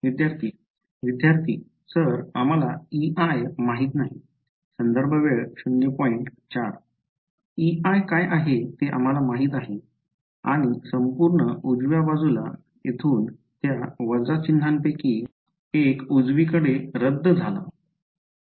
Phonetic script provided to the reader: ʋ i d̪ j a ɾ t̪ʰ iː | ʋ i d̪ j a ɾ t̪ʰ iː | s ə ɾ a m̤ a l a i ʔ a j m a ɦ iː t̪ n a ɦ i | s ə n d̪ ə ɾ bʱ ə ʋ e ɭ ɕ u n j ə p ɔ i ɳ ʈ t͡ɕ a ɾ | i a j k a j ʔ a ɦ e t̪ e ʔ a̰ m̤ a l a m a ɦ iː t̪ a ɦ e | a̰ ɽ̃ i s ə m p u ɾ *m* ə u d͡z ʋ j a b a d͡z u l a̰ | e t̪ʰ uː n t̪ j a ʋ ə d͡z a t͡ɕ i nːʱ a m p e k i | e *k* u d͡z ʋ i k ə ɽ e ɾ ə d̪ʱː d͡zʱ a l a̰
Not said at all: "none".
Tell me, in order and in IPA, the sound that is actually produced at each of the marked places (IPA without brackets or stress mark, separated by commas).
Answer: ɳ, k